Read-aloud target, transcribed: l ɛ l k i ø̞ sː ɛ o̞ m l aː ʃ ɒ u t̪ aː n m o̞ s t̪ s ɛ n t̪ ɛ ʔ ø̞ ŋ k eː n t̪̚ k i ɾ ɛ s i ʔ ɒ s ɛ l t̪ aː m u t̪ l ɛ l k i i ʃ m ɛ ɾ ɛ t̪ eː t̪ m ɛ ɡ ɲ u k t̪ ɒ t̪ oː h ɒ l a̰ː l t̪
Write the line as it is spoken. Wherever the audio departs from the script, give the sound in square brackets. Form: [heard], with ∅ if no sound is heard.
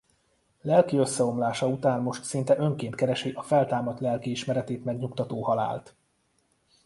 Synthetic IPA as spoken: l ɛ l k i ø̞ sː ɛ o̞ m l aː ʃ ɒ u t̪ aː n m o̞ [ʃ] t̪ s [i] n t̪ ɛ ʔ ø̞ ŋ k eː n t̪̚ k [ɛ] ɾ ɛ [ʃ] i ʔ ɒ [f] ɛ l t̪ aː m [ɒ] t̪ l ɛ l k i i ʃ m ɛ ɾ ɛ t̪ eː t̪ m ɛ ɡ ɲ u k t̪ ɒ t̪ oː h ɒ l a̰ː l t̪

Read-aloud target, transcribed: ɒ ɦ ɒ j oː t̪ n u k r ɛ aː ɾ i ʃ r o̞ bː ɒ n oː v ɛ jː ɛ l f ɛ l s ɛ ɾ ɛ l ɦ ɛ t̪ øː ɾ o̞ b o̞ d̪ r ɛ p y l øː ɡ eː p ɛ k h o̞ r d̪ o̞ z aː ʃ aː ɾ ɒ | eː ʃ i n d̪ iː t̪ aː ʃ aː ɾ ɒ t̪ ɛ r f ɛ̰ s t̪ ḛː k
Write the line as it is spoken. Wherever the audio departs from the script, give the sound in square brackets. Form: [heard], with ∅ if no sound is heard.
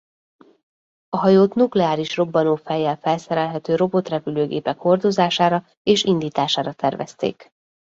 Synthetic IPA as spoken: ɒ ɦ ɒ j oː t̪ n u k [l] ɛ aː ɾ i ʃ r o̞ bː ɒ n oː [f] ɛ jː ɛ l f ɛ l s ɛ ɾ ɛ l ɦ ɛ t̪ øː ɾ o̞ b o̞ [t̪] r ɛ p y l øː ɡ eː p ɛ k h o̞ r d̪ o̞ z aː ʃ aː ɾ ɒ | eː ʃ i n d̪ iː t̪ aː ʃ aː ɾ ɒ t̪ ɛ r [v] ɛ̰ s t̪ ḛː k

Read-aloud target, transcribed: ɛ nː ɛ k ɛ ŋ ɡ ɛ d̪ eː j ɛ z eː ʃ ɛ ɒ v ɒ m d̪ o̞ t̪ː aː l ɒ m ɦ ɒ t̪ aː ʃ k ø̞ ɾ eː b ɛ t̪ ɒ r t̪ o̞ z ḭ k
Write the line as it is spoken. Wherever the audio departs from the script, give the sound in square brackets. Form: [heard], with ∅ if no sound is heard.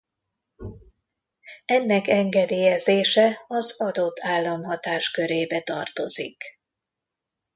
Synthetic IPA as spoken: ɛ nː ɛ k ɛ ŋ ɡ ɛ d̪ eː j ɛ z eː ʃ ɛ ɒ [z] ɒ [∅] d̪ o̞ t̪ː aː [lː] ɒ m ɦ ɒ t̪ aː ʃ k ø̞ ɾ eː b ɛ t̪ ɒ r t̪ o̞ z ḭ k

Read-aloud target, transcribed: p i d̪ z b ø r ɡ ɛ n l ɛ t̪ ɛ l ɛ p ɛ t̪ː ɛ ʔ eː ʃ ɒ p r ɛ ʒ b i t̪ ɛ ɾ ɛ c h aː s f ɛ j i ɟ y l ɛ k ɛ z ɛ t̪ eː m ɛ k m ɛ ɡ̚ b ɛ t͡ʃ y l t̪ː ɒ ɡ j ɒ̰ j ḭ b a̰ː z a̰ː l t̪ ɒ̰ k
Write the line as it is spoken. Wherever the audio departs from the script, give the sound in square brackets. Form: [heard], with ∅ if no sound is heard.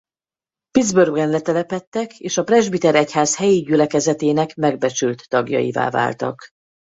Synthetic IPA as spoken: p i d̪ z b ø r ɡ ɛ n l ɛ t̪ ɛ l ɛ p ɛ t̪ː ɛ [k] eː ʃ ɒ p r ɛ ʒ b i t̪ ɛ ɾ ɛ c h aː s [h] ɛ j i ɟ y l ɛ k ɛ z ɛ t̪ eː [n] ɛ k m ɛ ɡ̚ b ɛ t͡ʃ y l t̪ː ɒ ɡ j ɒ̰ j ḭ [v] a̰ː [v] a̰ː l t̪ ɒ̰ k

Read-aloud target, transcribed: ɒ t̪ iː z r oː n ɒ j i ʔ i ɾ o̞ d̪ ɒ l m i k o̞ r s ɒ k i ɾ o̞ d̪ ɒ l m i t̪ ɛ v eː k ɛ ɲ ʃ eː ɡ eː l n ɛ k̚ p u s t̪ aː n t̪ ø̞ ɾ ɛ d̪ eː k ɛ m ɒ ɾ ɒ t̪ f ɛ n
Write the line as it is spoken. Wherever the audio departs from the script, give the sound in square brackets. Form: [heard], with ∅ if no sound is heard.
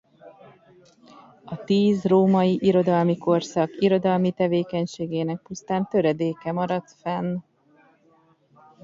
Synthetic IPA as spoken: ɒ t̪ iː z r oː [m] ɒ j i ʔ i ɾ o̞ d̪ ɒ l m i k o̞ r s ɒ k i ɾ o̞ d̪ ɒ l m i t̪ ɛ v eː k ɛ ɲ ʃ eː ɡ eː [∅] n ɛ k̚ p u s t̪ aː n t̪ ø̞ ɾ ɛ d̪ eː k ɛ m ɒ ɾ ɒ t̪ f ɛ n

